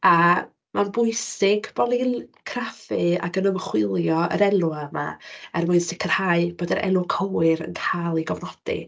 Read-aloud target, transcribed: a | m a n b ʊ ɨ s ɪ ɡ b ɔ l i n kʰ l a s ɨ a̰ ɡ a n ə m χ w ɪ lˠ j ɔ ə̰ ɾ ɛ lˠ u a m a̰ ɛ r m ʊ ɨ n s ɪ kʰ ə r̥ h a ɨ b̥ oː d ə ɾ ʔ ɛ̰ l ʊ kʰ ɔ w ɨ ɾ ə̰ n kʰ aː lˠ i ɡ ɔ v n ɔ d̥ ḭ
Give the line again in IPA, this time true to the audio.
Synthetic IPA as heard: a | m a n b ʊ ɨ s ɪ ɡ b ɔ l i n kʰ r a f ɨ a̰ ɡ ə n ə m χ w ɪ lˠ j ɔ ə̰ ɾ ɛ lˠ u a m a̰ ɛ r m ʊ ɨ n s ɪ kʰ ə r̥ h a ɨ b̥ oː d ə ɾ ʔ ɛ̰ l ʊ kʰ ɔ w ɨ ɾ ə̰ n kʰ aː lˠ i ɡ ɔ v n ɔ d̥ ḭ